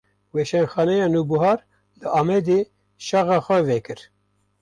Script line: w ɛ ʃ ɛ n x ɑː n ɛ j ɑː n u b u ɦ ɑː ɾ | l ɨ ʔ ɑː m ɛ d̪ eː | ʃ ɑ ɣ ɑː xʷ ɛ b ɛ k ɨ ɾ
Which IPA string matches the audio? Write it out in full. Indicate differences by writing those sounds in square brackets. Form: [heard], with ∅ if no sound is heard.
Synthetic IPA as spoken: w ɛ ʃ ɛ n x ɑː n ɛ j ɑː n u b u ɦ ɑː ɾ | l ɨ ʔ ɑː m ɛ d̪ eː | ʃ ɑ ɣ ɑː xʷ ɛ [v] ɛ k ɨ ɾ

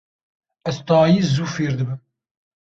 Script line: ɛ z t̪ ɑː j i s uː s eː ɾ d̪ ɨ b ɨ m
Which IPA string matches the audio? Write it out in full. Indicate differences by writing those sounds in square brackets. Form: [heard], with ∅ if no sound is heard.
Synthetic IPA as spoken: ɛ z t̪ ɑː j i [z] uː [f] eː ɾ d̪ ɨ b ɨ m

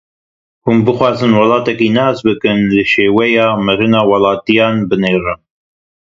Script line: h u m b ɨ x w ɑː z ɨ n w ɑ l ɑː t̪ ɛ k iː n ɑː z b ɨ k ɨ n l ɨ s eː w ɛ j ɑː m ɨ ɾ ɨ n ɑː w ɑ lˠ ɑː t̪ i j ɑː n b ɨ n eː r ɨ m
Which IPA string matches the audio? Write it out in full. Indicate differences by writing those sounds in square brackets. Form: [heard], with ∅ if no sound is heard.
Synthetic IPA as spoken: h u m b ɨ x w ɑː z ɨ n w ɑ l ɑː t̪ ɛ k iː n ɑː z b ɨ k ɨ n l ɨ [ʃ] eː w ɛ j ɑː m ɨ ɾ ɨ n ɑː w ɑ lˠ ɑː t̪ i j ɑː n b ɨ n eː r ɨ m

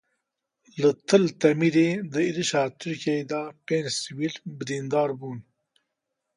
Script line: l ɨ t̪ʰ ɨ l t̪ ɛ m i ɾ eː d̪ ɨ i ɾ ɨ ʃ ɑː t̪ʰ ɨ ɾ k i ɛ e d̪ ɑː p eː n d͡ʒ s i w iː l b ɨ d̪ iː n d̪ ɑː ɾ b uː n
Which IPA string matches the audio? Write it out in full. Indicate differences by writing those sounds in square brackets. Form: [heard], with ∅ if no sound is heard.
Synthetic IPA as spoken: l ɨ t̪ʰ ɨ l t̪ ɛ m i ɾ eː d̪ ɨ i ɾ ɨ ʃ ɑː t̪ʰ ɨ ɾ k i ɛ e d̪ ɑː p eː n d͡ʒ s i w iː l b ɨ d̪ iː n d̪ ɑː ɾ b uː n

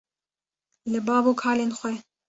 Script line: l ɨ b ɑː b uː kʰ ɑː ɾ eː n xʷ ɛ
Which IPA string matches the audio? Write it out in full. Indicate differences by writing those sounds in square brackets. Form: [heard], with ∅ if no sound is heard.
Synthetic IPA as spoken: l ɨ b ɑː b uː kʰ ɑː [l] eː n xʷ ɛ

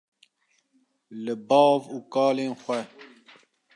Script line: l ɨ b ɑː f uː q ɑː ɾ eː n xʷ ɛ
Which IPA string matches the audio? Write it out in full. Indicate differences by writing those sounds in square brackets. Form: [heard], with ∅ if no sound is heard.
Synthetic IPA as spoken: l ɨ b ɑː [v] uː [k] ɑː [l] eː n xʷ ɛ

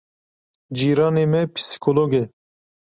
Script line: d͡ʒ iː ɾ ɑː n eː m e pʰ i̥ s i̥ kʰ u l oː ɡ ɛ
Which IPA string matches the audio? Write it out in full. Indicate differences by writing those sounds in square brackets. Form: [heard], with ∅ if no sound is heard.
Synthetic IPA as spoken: d͡ʒ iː ɾ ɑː n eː m [ɛ] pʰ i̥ s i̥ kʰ [o] l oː ɡ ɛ

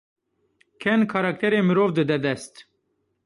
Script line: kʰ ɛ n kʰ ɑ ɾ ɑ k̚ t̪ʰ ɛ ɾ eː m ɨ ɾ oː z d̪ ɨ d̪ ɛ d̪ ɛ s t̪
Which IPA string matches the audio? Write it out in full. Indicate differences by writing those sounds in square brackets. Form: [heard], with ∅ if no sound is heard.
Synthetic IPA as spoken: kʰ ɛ n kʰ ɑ ɾ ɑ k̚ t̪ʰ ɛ ɾ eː m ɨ ɾ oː [v] d̪ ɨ d̪ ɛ d̪ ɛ s t̪

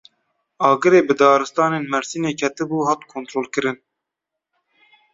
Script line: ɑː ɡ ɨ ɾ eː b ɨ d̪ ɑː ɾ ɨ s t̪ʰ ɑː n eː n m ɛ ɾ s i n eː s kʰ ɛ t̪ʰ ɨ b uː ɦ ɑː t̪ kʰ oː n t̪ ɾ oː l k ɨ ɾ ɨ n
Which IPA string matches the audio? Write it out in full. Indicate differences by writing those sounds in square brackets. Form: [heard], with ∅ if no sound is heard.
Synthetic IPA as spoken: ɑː ɡ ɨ ɾ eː b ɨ d̪ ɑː ɾ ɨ s [t̪] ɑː n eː n m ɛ ɾ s i n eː [∅] kʰ ɛ [t̪] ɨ b uː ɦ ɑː t̪ kʰ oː n t̪ ɾ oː l k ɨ ɾ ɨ n

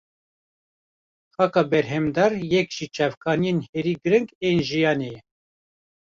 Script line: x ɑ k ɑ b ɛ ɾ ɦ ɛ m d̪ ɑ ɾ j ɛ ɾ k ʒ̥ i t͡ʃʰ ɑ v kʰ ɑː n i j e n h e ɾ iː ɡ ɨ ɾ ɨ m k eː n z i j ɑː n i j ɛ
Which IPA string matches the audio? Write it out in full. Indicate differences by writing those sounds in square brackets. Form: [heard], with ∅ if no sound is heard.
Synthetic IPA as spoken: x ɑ k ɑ b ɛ ɾ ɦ ɛ m d̪ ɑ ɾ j ɛ [∅] k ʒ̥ i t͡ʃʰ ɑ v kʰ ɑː n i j e n h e ɾ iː ɡ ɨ ɾ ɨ [ŋ] k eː n [ʒ] i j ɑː n [e] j ɛ

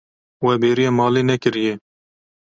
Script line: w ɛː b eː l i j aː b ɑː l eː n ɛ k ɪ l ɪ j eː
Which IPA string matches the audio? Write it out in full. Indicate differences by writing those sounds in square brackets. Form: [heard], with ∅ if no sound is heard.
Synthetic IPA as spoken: w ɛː b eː [ɾ] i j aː [m] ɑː l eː n ɛ k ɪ [ɾ] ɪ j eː

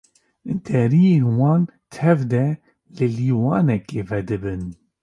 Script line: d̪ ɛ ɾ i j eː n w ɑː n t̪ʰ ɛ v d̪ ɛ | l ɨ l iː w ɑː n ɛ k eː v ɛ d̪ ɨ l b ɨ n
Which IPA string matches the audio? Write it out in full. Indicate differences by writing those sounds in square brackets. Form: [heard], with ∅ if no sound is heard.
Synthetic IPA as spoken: d̪ ɛ ɾ i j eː n w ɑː n t̪ʰ ɛ v d̪ ɛ | l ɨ l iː w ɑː n ɛ k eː v ɛ d̪ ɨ [∅] b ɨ n

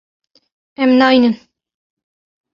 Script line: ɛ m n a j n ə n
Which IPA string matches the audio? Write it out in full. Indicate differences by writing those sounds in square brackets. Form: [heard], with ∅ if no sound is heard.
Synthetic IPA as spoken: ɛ m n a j n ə n

